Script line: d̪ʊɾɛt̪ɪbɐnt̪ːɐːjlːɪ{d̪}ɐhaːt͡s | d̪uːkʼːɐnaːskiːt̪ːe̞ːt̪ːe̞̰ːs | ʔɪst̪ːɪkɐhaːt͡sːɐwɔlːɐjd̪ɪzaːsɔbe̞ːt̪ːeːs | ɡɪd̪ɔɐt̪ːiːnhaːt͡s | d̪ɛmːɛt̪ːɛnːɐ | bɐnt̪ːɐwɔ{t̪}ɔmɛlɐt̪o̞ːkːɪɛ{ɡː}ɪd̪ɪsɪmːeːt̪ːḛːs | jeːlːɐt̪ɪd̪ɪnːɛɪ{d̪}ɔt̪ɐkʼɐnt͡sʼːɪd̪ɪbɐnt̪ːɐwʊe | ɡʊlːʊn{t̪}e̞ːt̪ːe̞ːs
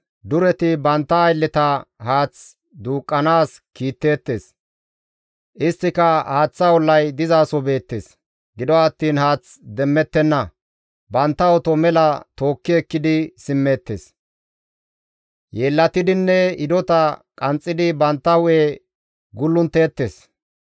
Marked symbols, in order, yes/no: no, yes, no, yes, yes

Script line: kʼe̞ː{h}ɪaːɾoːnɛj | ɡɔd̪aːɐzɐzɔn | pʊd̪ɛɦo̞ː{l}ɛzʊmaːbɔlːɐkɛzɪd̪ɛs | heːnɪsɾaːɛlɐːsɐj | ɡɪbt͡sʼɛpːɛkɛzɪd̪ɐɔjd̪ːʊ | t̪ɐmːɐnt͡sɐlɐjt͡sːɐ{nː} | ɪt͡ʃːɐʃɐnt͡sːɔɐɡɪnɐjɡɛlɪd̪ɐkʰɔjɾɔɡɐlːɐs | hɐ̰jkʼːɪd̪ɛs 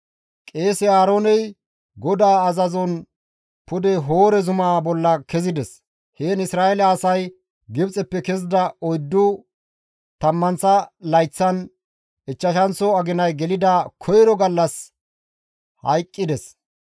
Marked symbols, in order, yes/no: no, no, no

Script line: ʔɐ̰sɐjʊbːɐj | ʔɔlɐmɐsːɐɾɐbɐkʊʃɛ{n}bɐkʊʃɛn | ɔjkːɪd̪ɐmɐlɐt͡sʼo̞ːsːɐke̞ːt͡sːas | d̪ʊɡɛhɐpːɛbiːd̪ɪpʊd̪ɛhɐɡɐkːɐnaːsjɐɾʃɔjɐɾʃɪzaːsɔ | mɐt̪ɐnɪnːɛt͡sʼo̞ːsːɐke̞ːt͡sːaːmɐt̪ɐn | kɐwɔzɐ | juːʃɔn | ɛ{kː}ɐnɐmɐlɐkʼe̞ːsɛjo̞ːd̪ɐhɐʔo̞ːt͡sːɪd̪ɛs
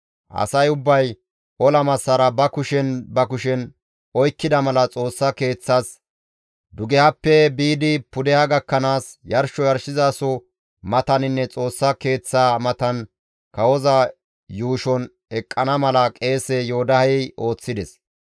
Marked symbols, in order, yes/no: yes, no

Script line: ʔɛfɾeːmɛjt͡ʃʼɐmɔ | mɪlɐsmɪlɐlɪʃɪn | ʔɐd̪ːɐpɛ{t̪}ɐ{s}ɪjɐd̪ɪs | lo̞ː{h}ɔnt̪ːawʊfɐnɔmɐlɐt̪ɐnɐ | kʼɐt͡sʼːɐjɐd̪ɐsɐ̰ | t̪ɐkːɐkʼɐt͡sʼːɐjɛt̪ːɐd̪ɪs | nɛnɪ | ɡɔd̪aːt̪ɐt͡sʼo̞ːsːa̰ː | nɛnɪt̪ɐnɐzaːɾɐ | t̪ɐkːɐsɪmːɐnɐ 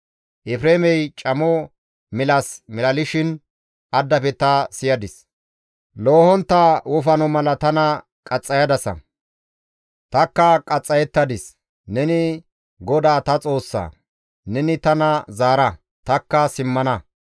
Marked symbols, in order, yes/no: yes, yes, yes

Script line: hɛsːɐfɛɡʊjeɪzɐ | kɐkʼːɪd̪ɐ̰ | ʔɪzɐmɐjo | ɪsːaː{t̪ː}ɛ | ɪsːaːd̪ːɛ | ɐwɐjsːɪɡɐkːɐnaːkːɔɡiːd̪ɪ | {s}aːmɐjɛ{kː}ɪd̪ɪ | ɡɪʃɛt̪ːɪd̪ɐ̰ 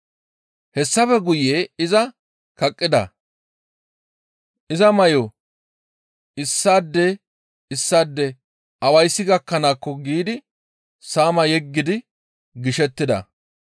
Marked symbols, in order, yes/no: no, yes, no

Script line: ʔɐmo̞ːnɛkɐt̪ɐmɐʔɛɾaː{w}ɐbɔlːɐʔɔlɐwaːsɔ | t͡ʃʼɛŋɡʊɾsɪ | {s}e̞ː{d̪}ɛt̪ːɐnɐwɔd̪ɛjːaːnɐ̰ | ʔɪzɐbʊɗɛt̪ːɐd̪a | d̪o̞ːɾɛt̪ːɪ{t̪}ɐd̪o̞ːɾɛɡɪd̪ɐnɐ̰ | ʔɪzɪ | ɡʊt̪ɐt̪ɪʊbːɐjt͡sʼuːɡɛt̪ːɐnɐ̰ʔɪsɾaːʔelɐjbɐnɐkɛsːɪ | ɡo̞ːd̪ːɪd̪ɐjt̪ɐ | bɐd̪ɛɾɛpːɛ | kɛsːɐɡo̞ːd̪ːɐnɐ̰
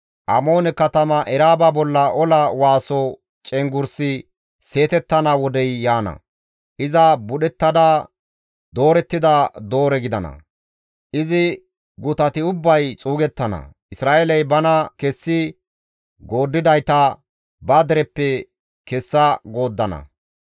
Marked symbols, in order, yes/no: no, yes, no, no

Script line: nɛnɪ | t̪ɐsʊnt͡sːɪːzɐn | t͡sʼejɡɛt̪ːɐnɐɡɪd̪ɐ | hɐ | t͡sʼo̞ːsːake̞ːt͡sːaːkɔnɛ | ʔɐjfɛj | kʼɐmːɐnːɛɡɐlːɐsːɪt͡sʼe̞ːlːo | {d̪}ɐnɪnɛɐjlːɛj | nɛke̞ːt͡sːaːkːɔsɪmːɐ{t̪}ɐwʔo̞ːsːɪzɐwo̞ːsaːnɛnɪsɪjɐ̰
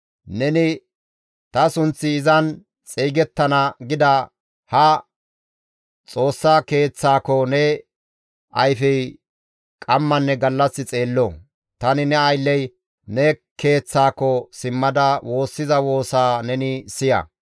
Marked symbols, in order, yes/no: no, no

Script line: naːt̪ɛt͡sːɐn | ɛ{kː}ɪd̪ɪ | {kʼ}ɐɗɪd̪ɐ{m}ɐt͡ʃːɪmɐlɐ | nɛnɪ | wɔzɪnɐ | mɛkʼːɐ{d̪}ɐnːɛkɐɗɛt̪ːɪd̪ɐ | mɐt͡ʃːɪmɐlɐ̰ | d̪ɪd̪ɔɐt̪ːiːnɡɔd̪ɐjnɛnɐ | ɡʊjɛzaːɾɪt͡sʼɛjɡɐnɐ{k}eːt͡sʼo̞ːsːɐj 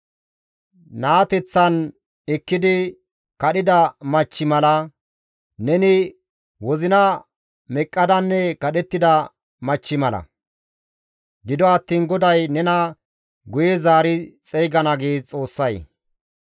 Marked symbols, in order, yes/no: yes, no, yes, yes, no

